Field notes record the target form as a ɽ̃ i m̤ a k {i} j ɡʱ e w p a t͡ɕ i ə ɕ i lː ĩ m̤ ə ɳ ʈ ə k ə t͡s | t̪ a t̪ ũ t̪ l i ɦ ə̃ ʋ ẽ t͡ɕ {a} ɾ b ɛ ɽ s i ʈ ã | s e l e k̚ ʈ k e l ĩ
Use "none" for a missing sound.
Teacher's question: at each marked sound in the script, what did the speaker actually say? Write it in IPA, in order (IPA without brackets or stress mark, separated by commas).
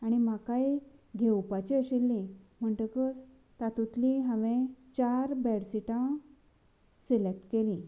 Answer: a, a